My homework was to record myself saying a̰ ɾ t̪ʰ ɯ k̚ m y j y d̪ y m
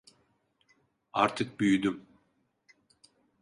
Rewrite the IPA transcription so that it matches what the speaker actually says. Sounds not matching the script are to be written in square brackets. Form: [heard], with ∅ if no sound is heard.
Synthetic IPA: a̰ ɾ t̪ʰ ɯ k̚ [b] y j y d̪ y m